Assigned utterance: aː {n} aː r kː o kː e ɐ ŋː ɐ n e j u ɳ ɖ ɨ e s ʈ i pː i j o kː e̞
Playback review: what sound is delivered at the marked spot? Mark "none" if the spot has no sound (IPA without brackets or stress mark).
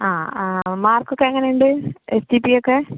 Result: m